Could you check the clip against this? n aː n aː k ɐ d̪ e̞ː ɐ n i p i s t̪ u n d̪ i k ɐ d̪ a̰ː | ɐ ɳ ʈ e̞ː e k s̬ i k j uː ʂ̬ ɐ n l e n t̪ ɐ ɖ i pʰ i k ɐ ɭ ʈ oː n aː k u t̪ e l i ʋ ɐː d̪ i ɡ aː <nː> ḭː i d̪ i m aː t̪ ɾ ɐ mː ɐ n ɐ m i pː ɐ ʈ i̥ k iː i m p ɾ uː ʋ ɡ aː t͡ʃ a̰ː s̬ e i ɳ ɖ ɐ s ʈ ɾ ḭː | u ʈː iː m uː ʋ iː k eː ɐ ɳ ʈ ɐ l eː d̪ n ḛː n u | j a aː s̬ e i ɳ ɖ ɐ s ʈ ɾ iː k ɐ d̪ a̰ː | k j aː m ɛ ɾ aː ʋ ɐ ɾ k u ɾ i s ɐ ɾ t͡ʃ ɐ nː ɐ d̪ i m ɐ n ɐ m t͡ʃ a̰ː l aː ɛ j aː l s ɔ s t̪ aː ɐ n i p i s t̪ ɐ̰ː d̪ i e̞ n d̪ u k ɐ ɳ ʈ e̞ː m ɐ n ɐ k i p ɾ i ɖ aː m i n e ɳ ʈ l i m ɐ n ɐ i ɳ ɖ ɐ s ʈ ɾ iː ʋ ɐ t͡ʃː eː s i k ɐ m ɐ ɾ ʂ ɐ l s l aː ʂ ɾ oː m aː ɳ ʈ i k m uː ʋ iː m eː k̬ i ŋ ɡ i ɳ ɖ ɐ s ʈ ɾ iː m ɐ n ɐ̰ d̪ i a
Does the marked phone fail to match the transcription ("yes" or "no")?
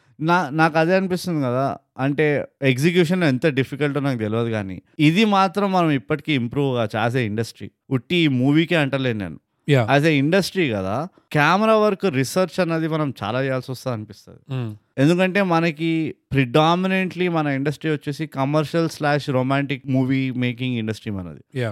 yes